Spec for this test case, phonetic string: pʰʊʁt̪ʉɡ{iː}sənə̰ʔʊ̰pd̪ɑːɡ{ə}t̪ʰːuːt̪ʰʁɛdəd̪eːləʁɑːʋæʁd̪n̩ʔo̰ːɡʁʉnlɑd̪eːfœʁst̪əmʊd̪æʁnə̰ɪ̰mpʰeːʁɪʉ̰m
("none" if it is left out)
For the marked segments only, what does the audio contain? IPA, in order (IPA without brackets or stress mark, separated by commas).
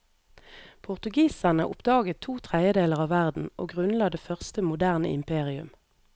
iː, ə